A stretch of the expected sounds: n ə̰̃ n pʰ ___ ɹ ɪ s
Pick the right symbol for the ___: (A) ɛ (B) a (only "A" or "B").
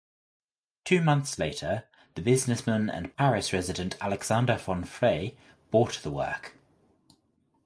B